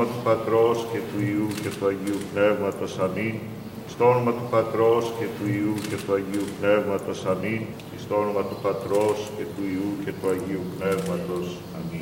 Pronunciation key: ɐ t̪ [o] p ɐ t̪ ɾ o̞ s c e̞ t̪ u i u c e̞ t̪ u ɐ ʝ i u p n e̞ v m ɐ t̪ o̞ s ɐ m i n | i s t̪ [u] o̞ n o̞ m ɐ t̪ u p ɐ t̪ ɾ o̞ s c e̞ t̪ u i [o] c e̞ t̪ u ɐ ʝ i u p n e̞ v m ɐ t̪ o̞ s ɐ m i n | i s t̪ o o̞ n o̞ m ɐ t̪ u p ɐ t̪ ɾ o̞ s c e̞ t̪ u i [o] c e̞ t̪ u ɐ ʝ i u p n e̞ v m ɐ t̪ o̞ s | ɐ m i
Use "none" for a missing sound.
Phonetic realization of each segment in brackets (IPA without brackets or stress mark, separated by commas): u, o, u, u